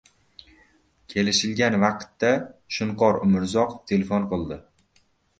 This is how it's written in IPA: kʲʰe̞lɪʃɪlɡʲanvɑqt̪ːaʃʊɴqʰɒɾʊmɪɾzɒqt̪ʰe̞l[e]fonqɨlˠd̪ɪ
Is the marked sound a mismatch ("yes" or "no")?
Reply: no